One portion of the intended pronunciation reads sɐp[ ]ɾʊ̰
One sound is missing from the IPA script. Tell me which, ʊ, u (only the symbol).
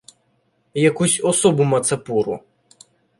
u